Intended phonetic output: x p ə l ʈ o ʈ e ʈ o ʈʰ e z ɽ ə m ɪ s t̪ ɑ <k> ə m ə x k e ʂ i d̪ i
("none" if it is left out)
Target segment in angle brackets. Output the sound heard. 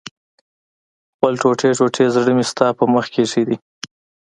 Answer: p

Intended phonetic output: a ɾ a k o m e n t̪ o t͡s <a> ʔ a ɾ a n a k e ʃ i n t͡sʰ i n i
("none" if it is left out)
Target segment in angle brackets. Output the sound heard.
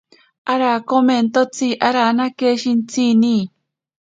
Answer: i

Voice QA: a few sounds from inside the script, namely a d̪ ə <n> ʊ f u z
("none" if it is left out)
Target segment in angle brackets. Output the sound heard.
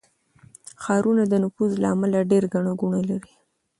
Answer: n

